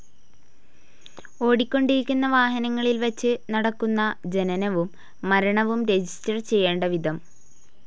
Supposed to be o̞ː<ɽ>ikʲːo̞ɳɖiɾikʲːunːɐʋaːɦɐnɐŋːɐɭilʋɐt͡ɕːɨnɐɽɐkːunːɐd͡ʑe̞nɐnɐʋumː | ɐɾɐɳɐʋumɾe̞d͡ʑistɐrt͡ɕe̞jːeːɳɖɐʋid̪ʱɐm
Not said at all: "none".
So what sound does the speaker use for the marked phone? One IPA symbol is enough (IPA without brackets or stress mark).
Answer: ɽ